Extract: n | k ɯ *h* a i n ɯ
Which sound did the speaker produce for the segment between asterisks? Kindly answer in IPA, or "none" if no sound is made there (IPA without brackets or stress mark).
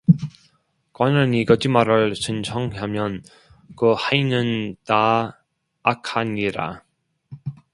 h